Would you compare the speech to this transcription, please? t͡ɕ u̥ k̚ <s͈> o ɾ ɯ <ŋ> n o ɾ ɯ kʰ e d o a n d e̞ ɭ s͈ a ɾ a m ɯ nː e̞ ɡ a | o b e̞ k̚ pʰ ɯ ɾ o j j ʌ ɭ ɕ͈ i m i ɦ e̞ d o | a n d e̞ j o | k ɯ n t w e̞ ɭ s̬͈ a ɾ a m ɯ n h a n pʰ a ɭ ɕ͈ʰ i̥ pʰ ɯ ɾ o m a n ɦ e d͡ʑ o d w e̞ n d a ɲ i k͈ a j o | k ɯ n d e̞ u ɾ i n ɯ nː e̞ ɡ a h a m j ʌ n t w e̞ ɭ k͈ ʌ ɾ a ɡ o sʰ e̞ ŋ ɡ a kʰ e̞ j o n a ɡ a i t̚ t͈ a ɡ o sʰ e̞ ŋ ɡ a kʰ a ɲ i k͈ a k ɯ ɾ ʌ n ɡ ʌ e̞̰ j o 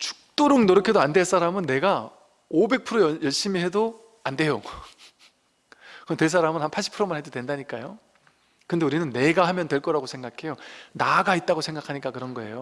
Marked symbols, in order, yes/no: no, yes

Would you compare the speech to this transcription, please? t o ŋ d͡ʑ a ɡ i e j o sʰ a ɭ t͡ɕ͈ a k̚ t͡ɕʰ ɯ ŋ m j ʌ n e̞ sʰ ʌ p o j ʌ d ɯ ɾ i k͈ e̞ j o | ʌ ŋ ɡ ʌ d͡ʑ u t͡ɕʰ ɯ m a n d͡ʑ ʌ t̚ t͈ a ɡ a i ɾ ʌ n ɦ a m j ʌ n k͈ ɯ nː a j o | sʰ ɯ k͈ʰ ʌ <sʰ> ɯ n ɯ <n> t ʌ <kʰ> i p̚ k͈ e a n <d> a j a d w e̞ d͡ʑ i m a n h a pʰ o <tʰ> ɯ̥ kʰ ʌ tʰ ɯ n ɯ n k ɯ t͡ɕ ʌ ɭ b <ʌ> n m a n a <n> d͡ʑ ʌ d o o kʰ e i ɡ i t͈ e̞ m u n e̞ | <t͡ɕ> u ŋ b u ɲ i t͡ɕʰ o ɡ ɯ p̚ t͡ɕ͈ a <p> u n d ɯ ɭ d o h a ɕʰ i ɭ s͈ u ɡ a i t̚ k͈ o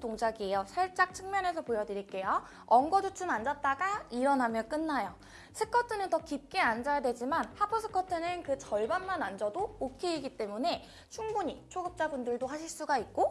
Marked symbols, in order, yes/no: no, yes, no, no, no, no, yes, no, no

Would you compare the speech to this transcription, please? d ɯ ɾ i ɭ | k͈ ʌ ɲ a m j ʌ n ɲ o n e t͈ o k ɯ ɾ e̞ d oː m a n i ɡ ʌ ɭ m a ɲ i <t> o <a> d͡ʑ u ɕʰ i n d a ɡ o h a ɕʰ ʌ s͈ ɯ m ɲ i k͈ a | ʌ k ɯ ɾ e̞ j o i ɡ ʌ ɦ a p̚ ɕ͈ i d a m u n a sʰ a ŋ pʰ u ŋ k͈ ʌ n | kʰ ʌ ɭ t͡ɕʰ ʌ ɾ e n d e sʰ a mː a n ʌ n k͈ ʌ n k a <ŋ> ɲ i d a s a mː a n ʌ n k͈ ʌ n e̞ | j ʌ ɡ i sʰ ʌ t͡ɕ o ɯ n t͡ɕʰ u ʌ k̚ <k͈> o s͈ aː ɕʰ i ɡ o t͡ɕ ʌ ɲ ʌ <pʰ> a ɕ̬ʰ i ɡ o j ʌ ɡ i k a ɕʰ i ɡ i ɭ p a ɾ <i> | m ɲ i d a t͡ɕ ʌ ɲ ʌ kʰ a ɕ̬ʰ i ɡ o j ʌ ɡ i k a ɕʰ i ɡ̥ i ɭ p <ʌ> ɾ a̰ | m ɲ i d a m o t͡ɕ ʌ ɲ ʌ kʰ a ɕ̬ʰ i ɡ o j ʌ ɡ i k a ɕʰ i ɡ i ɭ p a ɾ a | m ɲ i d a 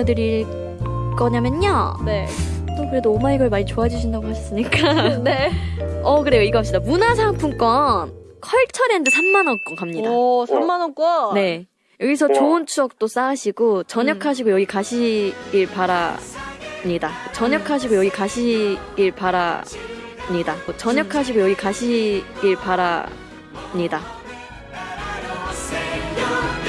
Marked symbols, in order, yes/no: no, yes, no, no, no, no, no

